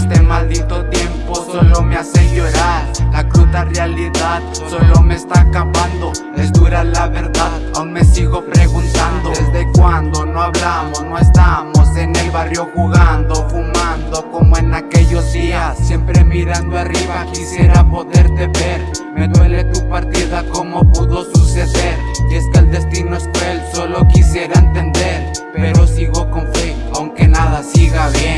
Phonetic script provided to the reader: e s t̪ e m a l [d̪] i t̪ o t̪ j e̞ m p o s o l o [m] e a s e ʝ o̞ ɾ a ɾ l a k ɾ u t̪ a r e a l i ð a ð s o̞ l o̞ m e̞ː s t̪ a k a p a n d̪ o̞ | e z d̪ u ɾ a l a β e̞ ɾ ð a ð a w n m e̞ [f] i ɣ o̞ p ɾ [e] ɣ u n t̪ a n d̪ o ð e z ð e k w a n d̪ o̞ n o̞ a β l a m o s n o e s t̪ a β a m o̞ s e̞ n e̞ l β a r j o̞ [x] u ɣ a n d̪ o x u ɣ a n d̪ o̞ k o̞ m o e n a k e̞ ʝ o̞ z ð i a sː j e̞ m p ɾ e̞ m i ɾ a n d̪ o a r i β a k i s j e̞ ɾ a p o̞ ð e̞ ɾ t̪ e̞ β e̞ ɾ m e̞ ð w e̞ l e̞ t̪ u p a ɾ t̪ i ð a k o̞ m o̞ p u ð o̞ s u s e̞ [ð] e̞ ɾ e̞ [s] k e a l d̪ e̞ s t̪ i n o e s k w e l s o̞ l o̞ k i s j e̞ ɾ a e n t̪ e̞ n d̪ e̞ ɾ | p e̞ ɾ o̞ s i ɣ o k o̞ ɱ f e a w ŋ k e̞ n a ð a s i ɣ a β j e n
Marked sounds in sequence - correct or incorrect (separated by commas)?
correct, correct, incorrect, correct, correct, correct, correct